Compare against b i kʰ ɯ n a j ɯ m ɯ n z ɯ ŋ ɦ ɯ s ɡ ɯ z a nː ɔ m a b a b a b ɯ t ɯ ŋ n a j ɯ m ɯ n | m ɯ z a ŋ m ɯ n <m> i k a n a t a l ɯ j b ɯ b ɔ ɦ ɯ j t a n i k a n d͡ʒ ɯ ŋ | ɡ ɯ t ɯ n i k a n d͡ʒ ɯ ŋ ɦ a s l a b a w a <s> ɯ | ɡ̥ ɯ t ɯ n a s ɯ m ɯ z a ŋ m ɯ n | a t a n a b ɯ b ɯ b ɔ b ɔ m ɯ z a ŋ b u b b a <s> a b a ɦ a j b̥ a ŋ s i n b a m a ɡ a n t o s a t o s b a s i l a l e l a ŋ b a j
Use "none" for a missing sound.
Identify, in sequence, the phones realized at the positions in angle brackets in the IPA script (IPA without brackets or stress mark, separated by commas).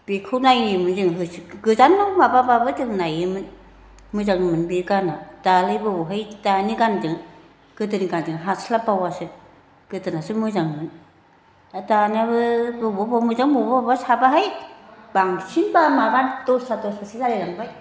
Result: b, s, s